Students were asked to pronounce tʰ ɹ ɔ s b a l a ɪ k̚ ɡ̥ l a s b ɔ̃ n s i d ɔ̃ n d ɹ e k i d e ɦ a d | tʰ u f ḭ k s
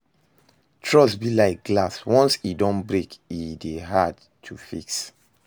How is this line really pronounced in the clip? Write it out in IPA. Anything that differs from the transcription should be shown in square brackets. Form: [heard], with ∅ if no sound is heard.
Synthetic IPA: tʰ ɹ ɔ s b [i] l a ɪ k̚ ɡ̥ l a s [w] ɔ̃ n s i d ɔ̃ n [b] ɹ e k i d e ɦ a d | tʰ u f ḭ k s